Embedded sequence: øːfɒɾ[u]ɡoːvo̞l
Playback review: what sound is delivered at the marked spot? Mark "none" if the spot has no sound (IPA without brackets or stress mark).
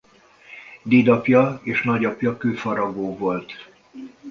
ɒ